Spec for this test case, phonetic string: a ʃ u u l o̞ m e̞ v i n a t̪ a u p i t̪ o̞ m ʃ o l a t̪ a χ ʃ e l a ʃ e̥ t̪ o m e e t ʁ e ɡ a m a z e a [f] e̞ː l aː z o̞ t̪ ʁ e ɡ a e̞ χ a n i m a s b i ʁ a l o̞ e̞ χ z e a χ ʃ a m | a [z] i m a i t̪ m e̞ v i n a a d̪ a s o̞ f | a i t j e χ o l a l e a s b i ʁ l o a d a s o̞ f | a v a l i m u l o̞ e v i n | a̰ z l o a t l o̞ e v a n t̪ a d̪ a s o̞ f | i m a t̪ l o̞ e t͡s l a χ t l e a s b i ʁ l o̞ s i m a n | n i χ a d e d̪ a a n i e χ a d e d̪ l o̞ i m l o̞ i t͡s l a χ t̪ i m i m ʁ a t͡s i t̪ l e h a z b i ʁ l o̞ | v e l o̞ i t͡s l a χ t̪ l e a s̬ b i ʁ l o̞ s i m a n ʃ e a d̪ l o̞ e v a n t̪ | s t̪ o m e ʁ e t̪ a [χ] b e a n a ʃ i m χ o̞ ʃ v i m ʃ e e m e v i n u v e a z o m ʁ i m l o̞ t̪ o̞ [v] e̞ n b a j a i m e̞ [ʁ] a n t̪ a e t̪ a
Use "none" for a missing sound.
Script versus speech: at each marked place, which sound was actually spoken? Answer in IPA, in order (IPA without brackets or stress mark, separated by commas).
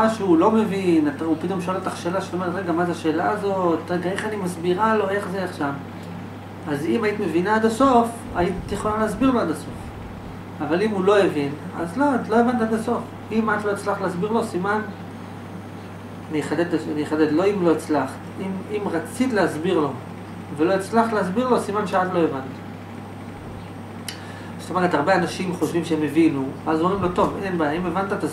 ʃ, z, ʁ, v, v